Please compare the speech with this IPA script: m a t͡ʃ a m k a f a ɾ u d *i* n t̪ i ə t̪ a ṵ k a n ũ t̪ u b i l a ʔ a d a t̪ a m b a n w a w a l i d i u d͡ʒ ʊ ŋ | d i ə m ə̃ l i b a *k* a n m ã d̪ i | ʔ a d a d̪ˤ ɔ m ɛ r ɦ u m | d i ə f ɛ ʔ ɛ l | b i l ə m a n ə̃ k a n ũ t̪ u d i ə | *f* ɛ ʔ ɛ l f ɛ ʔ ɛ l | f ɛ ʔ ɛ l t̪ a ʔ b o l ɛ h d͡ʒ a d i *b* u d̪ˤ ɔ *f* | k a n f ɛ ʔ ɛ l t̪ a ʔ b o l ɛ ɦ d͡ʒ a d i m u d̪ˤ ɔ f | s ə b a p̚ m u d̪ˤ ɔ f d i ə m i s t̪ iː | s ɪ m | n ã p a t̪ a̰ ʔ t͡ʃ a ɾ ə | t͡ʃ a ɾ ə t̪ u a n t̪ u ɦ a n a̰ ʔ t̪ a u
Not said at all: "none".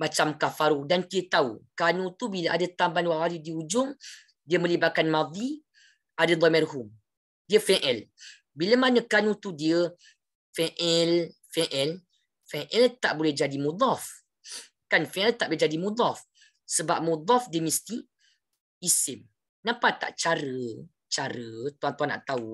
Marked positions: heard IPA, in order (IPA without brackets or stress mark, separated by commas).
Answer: a, k, f, m, f